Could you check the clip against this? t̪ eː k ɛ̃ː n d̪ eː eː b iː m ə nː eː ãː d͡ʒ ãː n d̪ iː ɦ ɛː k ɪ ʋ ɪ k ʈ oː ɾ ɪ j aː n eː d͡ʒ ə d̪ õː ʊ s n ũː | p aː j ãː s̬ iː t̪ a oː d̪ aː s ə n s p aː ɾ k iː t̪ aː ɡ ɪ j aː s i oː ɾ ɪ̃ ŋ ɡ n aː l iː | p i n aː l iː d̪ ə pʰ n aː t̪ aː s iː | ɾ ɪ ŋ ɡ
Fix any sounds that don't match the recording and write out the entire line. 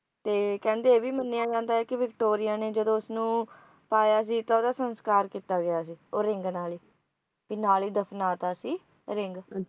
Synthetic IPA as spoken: t̪ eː k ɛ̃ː n d̪ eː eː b iː m ə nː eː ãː d͡ʒ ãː n d̪ aː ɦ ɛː k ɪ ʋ ɪ k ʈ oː ɾ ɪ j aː n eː d͡ʒ ə d̪ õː ʊ s n ũː | p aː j aː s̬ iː t̪ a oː d̪ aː s ə n s k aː ɾ k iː t̪ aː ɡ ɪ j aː s iː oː ɾ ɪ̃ ŋ ɡ n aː l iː | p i n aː l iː d̪ ə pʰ n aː t̪ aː s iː | ɾ ɪ ŋ ɡ